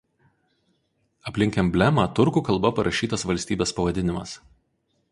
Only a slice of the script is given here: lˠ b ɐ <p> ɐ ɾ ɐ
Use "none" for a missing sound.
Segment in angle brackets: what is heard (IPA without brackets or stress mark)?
p